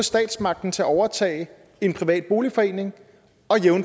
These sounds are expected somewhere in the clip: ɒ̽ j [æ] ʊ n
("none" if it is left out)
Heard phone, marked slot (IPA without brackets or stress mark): e